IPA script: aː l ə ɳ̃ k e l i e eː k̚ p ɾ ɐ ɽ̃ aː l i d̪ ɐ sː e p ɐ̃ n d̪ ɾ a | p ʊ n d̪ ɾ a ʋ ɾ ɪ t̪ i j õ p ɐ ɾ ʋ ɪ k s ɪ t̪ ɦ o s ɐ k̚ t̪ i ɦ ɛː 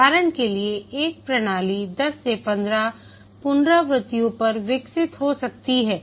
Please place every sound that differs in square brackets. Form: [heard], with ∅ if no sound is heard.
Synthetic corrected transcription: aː [ɾ] ə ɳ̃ k e l i e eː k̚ p ɾ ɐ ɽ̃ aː l i d̪ ɐ sː e p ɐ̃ n d̪ ɾ a | p ʊ n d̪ ɾ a ʋ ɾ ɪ t̪ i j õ p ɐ ɾ ʋ ɪ k s ɪ t̪ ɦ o s ɐ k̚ t̪ i ɦ ɛː